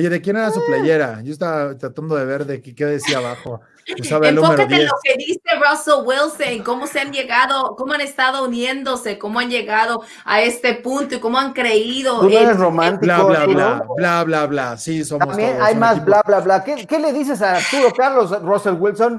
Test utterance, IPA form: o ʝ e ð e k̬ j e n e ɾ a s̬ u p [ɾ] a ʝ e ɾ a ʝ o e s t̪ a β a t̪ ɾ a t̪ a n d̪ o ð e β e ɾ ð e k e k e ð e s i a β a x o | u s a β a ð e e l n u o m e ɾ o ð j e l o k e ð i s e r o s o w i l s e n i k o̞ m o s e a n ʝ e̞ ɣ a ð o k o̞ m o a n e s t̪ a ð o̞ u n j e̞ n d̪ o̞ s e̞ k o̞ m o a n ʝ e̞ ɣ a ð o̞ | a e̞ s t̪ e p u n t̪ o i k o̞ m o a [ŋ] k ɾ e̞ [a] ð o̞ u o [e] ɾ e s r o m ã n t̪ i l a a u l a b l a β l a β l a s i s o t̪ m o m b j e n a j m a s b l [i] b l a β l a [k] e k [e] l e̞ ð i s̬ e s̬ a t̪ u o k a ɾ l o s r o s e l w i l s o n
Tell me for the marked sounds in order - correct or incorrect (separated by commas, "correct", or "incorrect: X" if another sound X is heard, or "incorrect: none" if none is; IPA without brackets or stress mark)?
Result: incorrect: l, correct, incorrect: i, correct, incorrect: a, correct, correct